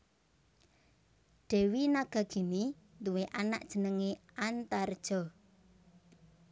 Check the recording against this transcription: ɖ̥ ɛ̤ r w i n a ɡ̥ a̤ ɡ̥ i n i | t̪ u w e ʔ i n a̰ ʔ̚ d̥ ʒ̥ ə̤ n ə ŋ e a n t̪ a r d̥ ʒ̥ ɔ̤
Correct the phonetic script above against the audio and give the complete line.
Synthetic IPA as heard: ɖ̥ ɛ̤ w i n a ɡ̥ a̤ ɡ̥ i n i | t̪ u w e ʔ a n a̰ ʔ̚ d̥ ʒ̥ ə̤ n ə ŋ e a n t̪ a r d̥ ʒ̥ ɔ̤